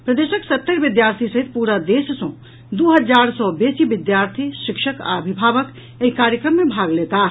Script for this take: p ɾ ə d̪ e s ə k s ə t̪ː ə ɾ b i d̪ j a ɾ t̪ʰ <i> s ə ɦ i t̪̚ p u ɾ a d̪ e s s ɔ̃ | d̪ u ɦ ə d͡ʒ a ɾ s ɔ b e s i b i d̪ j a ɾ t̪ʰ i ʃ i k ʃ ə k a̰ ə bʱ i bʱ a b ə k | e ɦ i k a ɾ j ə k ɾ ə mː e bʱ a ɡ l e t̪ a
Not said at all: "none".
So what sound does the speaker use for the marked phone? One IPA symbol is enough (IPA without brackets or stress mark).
i